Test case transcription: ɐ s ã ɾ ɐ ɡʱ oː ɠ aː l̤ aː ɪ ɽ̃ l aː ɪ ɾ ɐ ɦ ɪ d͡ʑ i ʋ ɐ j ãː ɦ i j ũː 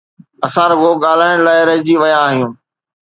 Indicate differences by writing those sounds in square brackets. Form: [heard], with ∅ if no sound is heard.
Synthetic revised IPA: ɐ s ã ɾ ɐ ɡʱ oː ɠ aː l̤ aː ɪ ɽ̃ l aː ɪ ɾ ɐ ɦ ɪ d͡ʑ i ʋ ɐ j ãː ɦ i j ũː